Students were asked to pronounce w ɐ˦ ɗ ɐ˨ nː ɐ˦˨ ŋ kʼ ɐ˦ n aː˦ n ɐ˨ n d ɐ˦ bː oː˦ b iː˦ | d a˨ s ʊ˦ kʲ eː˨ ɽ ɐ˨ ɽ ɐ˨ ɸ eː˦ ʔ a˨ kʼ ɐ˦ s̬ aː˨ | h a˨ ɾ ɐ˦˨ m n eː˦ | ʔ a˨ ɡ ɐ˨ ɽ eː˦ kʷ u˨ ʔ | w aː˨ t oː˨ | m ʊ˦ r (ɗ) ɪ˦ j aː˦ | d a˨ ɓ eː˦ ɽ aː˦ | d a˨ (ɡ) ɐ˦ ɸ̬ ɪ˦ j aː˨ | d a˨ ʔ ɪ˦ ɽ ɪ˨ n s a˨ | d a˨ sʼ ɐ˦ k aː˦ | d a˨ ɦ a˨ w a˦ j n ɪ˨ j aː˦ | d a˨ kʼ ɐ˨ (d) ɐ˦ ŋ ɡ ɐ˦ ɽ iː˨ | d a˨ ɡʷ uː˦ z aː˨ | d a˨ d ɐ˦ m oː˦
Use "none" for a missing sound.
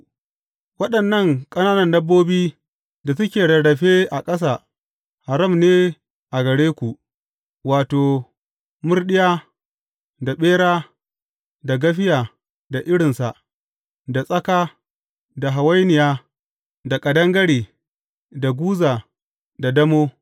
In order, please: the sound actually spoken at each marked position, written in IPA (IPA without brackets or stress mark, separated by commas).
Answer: ɗ, ɡ, d